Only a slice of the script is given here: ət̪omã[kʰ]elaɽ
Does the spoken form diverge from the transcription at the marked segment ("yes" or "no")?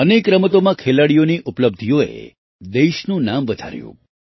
no